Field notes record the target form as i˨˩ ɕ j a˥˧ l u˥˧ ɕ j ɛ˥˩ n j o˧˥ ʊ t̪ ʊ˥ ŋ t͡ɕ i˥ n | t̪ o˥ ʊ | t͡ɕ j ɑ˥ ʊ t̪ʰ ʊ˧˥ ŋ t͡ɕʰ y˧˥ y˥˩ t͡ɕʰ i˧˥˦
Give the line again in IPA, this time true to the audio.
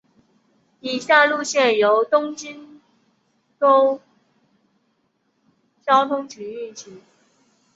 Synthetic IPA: i˨˩ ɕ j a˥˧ l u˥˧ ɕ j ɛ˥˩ n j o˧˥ ʊ t̪ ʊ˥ ŋ t͡ɕ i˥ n | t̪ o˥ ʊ | t͡ɕ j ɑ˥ ʊ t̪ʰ ʊ˥ ŋ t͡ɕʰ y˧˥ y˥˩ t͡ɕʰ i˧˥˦